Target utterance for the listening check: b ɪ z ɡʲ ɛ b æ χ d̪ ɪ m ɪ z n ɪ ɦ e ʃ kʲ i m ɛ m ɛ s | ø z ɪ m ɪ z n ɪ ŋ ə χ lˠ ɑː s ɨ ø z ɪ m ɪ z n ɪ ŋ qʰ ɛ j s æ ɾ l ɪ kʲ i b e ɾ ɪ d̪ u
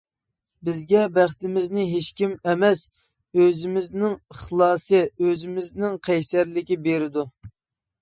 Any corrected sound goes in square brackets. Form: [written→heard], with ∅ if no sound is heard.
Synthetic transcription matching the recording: b ɪ z ɡʲ ɛ b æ χ [d̪→t̪] ɪ m ɪ z n ɪ ɦ e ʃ kʲ i m ɛ m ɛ s | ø z ɪ m ɪ z n ɪ ŋ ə χ lˠ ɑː s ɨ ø z ɪ m ɪ z n ɪ ŋ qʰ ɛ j s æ ɾ l ɪ kʲ i b e ɾ ɪ d̪ u